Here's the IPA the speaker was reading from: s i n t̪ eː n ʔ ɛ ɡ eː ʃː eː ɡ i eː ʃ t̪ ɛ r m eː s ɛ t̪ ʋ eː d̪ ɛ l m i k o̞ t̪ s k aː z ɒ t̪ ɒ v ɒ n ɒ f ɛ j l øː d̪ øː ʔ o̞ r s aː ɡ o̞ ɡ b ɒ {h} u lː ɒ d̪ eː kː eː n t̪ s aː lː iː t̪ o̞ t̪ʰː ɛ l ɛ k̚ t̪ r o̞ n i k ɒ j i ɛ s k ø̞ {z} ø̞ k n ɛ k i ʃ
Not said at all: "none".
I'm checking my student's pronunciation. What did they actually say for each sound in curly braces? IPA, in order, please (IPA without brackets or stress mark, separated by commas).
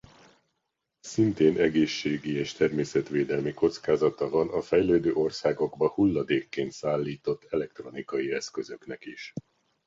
h, z